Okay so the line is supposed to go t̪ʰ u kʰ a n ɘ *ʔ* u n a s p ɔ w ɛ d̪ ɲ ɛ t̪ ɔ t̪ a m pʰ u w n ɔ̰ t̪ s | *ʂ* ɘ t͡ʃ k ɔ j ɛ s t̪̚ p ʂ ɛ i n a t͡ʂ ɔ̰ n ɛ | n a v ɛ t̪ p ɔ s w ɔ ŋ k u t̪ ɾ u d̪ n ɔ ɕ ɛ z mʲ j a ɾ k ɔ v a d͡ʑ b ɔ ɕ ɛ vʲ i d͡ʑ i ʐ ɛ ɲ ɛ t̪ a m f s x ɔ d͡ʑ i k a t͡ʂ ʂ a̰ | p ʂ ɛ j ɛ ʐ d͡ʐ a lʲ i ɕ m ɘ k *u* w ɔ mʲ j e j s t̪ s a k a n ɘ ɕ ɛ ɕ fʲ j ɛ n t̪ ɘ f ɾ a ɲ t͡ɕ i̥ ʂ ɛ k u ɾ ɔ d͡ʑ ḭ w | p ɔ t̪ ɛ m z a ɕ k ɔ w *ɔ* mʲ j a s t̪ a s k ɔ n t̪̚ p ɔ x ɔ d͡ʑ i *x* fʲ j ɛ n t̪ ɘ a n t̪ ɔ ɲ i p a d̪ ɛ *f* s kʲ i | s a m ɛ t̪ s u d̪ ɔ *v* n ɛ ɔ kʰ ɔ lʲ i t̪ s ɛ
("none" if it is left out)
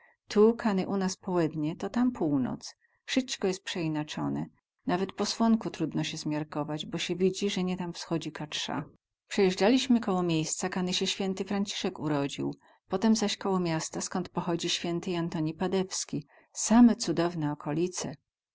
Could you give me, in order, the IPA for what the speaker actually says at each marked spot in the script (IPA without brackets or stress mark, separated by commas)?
ʔ, ʂ, ɔ, ɔ, ɕ, f, v